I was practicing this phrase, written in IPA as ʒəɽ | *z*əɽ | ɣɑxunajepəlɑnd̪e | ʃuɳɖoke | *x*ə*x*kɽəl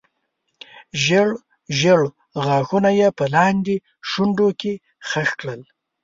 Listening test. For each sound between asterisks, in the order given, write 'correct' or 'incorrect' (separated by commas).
incorrect, correct, correct